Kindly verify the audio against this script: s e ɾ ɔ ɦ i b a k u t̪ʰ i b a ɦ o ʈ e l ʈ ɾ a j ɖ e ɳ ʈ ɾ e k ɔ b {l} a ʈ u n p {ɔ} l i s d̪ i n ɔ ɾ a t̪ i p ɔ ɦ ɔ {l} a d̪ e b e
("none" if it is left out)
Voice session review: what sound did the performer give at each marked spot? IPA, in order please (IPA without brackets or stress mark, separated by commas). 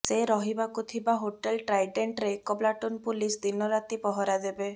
l, u, ɾ